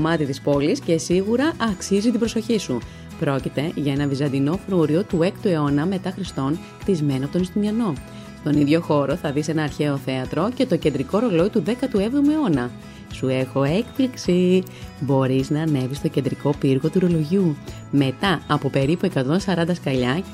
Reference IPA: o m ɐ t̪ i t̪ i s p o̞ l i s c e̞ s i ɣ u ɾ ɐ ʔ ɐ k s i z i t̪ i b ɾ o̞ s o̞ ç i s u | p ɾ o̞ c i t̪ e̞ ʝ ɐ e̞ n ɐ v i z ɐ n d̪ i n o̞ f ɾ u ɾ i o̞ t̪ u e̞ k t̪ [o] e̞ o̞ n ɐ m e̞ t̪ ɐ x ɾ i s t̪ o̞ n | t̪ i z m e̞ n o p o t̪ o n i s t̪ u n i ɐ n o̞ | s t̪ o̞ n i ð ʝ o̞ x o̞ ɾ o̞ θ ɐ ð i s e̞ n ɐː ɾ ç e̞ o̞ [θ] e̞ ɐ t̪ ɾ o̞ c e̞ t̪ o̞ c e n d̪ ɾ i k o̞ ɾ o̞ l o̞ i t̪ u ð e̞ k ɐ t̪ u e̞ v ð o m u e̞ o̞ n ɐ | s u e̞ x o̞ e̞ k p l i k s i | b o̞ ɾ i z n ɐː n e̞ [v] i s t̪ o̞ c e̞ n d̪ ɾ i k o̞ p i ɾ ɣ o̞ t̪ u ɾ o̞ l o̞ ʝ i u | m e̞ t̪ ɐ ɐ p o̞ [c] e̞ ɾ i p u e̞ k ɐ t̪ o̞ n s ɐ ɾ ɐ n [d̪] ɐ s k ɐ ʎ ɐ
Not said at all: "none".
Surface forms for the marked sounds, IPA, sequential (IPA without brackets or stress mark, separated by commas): u, θ, v, p, d̪